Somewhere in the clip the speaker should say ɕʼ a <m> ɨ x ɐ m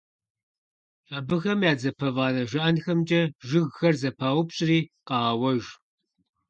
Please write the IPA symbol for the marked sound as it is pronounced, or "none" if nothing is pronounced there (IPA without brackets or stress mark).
b